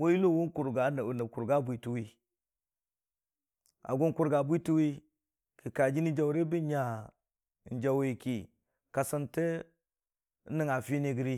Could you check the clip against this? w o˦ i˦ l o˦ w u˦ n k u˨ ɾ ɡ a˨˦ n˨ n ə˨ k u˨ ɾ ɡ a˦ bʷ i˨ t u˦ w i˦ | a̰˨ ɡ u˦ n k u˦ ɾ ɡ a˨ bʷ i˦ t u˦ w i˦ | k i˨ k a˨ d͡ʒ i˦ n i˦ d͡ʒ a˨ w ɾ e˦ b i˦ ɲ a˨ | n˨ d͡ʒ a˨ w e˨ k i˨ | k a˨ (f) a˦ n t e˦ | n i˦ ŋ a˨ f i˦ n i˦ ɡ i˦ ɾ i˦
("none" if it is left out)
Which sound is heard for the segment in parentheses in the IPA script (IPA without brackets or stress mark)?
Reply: s